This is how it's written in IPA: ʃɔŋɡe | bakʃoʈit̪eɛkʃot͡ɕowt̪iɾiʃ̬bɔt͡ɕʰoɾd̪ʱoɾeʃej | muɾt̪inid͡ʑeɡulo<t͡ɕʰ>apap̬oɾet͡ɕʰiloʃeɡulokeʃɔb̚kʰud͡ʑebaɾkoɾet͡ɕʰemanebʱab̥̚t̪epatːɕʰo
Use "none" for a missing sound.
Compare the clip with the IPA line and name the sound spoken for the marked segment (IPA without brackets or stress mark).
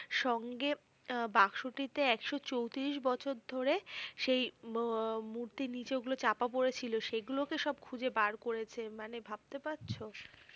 t͡ɕ